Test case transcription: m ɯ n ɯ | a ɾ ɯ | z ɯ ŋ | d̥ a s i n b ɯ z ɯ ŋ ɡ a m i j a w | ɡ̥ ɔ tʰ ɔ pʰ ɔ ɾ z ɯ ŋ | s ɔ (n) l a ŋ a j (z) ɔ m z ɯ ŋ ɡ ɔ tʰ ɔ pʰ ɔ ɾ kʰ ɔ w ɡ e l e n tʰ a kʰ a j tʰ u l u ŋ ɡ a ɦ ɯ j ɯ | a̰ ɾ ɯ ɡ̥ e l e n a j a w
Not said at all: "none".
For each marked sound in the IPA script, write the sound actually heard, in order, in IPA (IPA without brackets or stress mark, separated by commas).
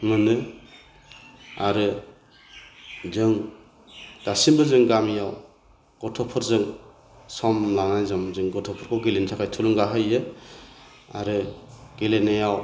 m, z